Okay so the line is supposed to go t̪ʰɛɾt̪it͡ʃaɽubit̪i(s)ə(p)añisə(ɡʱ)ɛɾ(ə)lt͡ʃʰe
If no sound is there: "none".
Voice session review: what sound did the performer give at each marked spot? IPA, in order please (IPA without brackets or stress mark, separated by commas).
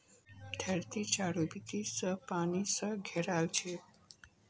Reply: s, p, ɡʱ, a